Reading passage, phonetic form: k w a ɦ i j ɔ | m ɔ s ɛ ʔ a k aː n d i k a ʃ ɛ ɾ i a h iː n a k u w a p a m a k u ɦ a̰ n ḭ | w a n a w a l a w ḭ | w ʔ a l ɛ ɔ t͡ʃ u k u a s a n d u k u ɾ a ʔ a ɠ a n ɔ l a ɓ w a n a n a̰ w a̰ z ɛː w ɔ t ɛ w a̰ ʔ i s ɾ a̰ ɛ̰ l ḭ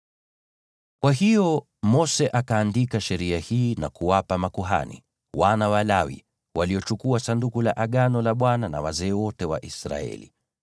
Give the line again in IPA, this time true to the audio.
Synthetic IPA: k w a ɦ i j ɔ | m ɔ s ɛ ʔ a k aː n d i k a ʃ ɛ ɾ i a h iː n a k u w a p a m a k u ɦ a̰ n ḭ | w a n a w a l a w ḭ | w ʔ a l i ɔ t͡ʃ u k u a s a n d u k u l a ʔ a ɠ a n ɔ l a ɓ w a n a n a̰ w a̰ z ɛː w ɔ t ɛ w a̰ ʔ i s ɾ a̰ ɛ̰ l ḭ